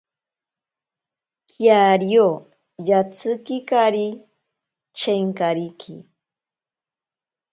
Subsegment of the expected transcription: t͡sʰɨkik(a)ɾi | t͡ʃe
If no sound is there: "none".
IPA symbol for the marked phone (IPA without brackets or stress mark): a